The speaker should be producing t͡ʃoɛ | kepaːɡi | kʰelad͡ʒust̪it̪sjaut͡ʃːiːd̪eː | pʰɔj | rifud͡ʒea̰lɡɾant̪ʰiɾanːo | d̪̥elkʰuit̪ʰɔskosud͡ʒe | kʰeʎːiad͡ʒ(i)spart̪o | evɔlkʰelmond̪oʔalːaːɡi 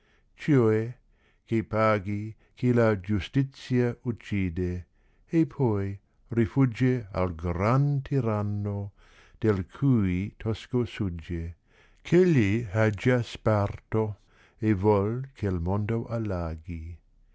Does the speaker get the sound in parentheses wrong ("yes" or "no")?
yes